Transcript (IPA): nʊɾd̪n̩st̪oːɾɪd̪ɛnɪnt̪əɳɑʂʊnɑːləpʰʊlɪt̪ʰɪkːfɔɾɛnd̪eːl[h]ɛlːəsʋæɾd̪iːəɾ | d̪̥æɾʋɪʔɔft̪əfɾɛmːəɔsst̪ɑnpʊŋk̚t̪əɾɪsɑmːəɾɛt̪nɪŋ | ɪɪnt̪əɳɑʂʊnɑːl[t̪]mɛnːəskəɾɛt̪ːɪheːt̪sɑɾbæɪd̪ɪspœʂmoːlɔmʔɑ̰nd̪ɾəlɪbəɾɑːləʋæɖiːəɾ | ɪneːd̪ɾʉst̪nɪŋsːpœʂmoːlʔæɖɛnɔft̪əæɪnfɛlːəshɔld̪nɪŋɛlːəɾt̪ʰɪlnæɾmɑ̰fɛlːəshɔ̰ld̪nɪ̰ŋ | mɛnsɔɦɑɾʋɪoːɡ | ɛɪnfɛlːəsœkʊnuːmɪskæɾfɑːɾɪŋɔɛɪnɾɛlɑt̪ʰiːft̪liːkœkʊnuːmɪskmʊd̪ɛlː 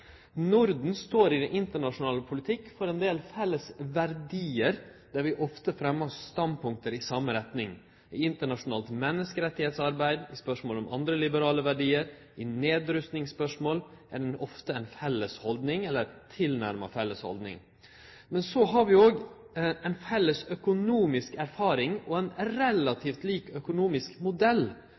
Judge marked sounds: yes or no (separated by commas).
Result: no, yes